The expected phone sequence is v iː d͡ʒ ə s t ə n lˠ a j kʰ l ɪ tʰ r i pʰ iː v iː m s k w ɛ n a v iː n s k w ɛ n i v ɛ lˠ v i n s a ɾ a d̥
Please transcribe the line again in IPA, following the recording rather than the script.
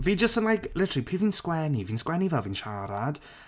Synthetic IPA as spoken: v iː d͡ʒ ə s t ə n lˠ a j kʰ l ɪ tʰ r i pʰ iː v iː n s k w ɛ n i v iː n s k w ɛ n i v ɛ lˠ v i n ʃ a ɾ a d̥